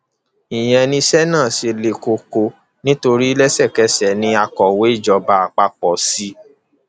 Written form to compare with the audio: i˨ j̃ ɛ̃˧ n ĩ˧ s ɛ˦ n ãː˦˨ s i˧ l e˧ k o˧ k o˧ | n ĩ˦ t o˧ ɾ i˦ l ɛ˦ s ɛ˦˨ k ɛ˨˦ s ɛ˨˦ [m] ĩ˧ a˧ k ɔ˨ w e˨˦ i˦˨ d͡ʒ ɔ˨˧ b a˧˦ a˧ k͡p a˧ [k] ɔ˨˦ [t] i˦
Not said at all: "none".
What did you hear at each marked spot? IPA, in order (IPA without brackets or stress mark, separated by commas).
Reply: n, k͡p, s